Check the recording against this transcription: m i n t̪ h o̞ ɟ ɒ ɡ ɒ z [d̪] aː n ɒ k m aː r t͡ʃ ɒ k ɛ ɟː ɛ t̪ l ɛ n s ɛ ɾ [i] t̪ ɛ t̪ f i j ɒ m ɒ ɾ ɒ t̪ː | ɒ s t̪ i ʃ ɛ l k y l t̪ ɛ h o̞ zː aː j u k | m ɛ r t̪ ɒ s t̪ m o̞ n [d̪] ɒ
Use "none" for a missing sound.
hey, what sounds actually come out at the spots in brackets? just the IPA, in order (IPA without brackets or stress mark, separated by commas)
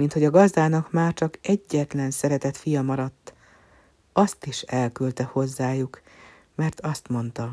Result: d̪, ɛ, t̪